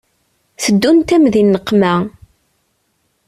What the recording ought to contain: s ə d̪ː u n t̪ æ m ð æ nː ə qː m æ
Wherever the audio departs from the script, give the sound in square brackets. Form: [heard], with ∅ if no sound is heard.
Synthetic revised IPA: [θ] ə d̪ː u n t̪ æ m ð [i] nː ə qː m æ